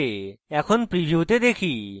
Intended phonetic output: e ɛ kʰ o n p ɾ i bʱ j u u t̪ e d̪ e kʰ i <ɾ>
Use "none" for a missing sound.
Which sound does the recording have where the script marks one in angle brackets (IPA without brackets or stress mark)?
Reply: none